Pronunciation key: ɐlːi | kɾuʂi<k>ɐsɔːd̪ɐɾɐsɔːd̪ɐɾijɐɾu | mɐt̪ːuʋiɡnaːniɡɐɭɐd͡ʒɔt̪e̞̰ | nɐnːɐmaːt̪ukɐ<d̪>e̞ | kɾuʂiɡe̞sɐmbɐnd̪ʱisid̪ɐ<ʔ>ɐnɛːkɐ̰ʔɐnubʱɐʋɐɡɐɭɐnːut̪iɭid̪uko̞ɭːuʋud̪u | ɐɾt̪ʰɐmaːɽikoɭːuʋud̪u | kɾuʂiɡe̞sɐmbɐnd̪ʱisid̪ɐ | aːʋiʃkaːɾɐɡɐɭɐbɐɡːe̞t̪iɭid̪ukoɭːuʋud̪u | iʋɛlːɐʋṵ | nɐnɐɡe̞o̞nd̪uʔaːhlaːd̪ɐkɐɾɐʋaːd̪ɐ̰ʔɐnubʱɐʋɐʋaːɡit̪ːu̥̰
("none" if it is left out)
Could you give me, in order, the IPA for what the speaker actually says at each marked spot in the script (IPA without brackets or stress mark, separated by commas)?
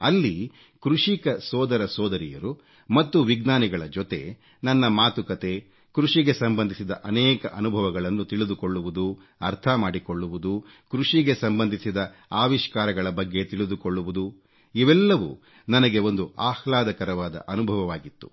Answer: k, t̪, ʔ